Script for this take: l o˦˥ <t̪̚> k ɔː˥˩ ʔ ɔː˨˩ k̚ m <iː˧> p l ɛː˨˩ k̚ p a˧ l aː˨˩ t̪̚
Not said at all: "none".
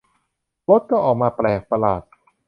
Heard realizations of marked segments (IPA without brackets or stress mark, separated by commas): t̪̚, aː˧